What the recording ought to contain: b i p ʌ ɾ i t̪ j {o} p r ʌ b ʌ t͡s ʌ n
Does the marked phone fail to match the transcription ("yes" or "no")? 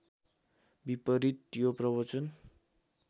no